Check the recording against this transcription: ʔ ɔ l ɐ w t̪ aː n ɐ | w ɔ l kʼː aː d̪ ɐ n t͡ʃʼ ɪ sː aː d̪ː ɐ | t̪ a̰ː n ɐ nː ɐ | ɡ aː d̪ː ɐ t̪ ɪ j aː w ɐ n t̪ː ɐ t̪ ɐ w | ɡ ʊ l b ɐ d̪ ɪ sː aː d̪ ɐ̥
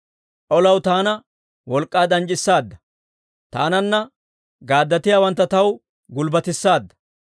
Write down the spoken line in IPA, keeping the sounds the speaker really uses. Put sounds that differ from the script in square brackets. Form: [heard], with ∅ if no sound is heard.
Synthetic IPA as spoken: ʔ ɔ l ɐ w t̪ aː n ɐ | w ɔ l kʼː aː d̪ ɐ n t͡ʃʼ ɪ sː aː d̪ː ɐ | t̪ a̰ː n ɐ nː ɐ | ɡ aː d̪ː ɐ t̪ ɪ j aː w ɐ n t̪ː ɐ t̪ ɐ w | ɡ ʊ l b ɐ [t̪] ɪ sː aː [d̪ː] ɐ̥